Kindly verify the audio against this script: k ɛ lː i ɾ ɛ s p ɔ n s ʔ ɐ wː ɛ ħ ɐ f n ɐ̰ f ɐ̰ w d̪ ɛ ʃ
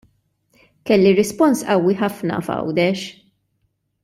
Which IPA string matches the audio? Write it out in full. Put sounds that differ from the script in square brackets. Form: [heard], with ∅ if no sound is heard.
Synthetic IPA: k ɛ lː i ɾ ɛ s p ɔ n s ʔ ɐ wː [i] ħ ɐ f n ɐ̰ f ɐ̰ w d̪ ɛ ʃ